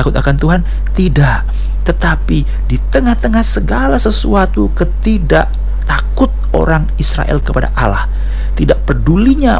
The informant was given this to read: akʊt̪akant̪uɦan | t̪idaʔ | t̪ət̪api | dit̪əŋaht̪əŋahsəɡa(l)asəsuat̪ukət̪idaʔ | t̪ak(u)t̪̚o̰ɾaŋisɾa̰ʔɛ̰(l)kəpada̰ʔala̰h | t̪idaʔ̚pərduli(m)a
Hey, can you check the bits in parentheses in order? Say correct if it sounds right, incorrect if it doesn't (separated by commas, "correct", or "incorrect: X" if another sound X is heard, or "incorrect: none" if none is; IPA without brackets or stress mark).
correct, incorrect: ʊ, correct, incorrect: ɲ